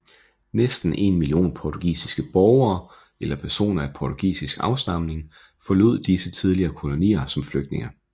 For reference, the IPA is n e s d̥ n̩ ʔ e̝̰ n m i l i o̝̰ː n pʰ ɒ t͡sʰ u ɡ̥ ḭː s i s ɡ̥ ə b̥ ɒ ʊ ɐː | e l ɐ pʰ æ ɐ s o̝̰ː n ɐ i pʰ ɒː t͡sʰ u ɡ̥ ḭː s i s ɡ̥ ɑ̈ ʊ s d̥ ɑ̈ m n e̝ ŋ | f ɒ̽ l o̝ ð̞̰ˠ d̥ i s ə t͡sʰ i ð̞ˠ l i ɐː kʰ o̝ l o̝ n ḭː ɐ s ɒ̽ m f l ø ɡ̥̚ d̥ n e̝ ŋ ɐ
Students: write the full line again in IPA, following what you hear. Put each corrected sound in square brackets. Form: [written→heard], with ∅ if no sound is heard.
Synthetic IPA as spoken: n e s d̥ n̩ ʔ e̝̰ n m i l i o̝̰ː n pʰ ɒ t͡sʰ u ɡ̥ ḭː s i s ɡ̥ ə b̥ ɒ ʊ ɐː | e l ɐ pʰ æ ɐ s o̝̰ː n ɐ [i→æ] pʰ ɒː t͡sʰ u ɡ̥ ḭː s i s ɡ̥ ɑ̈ ʊ s d̥ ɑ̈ m n e̝ ŋ | f ɒ̽ l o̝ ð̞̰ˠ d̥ i s ə t͡sʰ i ð̞ˠ l i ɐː kʰ o̝ l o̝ n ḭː ɐ s ɒ̽ m f l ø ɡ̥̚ d̥ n e̝ ŋ ɐ